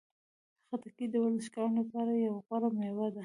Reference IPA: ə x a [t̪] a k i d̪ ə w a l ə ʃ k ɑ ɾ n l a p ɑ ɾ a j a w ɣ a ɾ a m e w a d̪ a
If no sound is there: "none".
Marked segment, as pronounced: t̪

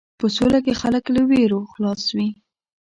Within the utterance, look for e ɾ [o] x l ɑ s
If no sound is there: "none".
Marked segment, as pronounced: o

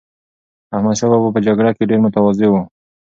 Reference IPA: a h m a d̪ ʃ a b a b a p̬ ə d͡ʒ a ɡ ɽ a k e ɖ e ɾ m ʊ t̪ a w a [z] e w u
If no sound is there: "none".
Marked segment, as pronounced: z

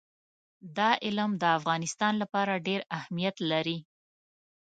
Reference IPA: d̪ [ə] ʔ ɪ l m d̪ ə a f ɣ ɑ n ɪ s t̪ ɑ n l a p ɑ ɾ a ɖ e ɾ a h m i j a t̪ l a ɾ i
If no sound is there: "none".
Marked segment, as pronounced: ɑ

